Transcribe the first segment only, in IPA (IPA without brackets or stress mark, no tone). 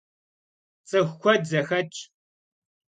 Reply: t͡sʼ